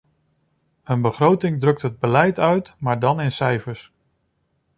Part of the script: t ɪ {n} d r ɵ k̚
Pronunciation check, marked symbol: incorrect: ŋ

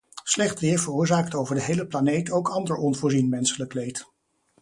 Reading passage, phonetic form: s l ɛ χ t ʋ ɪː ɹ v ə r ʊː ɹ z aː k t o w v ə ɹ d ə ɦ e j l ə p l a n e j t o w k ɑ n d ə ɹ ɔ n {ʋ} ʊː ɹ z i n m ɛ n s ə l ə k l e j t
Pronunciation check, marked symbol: incorrect: v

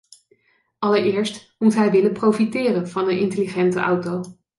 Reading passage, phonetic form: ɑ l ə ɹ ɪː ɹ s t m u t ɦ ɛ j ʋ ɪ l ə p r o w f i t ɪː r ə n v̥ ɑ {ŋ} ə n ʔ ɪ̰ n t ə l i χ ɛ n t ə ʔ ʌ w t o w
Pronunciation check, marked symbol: incorrect: n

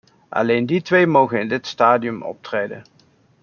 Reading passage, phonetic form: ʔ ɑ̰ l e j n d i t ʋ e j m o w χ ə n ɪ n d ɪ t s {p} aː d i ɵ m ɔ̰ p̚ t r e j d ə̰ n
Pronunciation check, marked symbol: incorrect: t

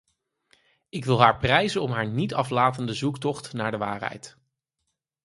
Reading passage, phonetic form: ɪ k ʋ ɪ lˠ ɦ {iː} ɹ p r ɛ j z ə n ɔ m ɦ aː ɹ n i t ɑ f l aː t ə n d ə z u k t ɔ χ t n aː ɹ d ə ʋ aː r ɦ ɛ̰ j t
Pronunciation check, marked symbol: incorrect: aː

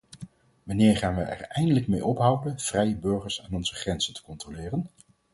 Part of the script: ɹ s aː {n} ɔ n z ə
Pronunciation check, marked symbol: correct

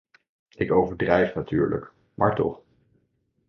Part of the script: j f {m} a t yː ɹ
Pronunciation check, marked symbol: incorrect: n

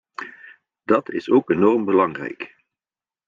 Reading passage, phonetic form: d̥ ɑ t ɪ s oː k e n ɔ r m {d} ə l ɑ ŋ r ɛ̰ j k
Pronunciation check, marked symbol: incorrect: b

